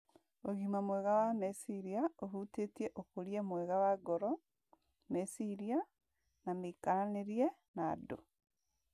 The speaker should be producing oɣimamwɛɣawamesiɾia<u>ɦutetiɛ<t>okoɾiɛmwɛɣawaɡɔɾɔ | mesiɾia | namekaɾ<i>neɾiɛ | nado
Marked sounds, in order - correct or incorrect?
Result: incorrect: o, incorrect: ʔ, incorrect: a

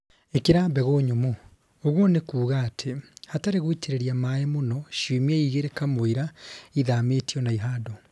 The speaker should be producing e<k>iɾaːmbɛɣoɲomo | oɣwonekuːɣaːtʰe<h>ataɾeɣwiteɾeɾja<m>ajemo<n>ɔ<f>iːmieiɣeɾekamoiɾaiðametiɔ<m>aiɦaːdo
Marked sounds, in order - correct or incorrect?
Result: correct, correct, correct, correct, incorrect: ʃ, incorrect: n

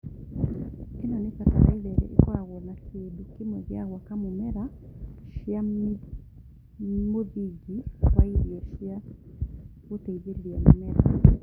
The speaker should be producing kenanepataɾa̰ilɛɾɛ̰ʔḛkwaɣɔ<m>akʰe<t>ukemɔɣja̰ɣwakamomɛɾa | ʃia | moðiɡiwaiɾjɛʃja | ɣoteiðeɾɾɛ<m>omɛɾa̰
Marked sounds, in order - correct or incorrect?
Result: incorrect: n, incorrect: d, correct

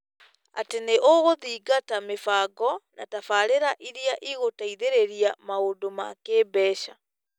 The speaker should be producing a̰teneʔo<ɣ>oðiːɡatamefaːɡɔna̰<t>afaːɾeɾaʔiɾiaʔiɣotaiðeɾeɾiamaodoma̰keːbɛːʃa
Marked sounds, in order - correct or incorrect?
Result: correct, correct

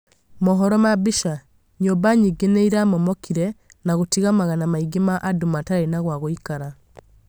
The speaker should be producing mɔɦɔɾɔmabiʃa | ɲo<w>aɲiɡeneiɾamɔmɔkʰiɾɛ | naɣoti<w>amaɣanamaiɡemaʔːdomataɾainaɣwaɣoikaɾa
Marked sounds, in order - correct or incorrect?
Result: incorrect: b, incorrect: ɣ

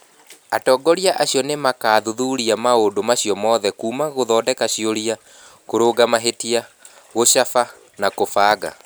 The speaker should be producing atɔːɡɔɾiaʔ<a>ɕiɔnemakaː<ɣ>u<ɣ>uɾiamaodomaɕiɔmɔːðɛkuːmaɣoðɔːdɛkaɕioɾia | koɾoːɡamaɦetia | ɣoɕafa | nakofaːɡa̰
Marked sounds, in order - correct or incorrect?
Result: correct, incorrect: ð, incorrect: ð

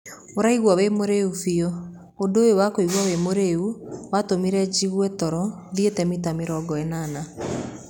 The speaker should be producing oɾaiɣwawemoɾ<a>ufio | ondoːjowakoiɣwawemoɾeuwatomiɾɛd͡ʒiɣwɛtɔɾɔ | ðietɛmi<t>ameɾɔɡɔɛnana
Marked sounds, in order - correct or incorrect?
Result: incorrect: e, correct

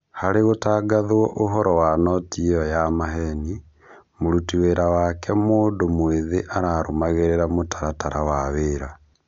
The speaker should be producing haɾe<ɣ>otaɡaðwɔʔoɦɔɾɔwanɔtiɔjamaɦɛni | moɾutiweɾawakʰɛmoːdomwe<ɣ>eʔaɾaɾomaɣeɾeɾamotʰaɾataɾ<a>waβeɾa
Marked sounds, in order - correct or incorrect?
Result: correct, incorrect: ð, correct

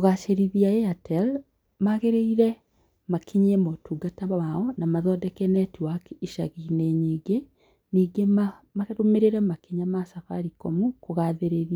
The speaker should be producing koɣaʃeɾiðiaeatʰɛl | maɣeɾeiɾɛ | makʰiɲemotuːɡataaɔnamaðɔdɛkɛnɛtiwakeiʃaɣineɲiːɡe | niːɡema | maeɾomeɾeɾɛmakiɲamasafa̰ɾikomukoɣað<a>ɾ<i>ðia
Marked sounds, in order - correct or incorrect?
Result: incorrect: e, incorrect: e

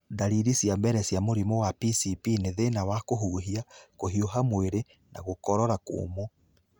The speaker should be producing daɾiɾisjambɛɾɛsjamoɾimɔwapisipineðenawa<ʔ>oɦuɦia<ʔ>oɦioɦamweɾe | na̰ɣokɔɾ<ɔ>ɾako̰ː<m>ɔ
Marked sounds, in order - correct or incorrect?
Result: incorrect: k, incorrect: k, correct, correct

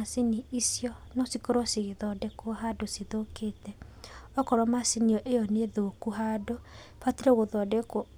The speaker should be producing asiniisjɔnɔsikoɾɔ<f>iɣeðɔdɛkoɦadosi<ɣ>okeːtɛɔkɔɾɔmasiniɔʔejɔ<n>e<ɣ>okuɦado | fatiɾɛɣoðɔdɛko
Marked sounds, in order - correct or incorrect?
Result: incorrect: s, incorrect: ð, correct, incorrect: ð

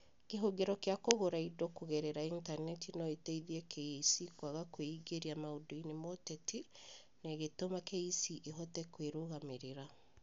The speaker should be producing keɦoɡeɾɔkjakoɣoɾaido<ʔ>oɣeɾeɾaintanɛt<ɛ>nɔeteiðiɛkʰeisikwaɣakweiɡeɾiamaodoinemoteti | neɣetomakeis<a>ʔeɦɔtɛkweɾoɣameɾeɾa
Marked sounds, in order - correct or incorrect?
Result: incorrect: k, incorrect: i, incorrect: i

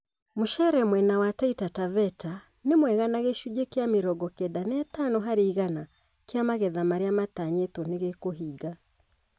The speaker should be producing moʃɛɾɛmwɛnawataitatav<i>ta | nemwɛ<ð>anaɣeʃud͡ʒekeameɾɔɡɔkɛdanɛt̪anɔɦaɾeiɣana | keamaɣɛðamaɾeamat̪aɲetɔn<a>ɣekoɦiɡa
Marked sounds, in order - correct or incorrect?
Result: incorrect: ɛ, incorrect: ɣ, incorrect: e

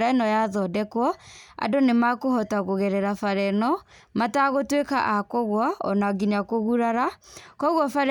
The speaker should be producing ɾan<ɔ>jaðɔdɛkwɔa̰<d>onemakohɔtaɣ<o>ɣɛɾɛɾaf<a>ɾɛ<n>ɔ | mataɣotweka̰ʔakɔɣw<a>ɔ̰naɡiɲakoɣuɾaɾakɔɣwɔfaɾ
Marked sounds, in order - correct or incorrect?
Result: correct, correct, correct, correct, correct, correct

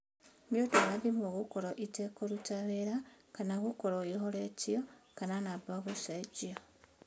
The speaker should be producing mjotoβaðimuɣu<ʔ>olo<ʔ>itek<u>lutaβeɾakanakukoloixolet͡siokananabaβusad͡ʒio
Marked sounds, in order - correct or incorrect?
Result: incorrect: k, correct, incorrect: o

